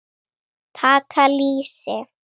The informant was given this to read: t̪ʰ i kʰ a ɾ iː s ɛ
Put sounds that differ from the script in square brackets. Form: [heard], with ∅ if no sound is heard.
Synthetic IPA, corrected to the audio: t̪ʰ [a] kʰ a [l] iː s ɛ